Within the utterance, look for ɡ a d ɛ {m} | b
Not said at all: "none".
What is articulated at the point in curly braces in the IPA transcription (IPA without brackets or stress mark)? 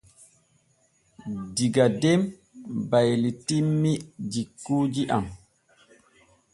m